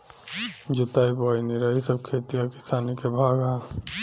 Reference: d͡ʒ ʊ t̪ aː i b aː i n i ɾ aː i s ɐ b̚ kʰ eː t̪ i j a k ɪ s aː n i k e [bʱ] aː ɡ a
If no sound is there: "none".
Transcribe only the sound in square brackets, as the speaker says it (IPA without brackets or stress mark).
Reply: bʱ